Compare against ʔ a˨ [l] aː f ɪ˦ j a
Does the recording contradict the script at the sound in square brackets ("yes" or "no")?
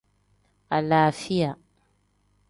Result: no